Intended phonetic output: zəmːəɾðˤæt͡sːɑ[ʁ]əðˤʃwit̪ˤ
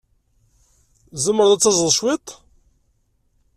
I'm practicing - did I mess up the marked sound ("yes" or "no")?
yes